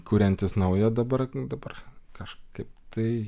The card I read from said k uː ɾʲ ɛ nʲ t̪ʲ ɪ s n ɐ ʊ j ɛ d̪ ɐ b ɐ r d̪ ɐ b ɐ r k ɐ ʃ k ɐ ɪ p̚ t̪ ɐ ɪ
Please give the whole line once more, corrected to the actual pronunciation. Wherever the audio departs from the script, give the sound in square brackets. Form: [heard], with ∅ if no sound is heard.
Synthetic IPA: k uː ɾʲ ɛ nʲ t̪ʲ ɪ s n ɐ ʊ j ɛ d̪ ɐ b ɐ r d̪ ɐ b ɐ r k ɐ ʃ k ɐ ɪ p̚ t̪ ɐ ɪ